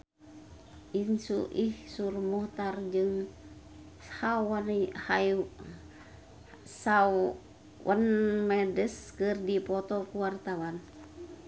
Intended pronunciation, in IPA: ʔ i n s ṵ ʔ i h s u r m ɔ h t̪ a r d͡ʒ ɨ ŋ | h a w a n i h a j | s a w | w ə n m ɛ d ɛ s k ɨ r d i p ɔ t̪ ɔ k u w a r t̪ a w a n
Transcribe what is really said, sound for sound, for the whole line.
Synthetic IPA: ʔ i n s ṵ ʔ i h s u r m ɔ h t̪ a r d͡ʒ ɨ ŋ | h a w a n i h a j | s a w | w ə n m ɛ d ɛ s k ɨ r d i p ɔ t̪ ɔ k u w a r t̪ a w a n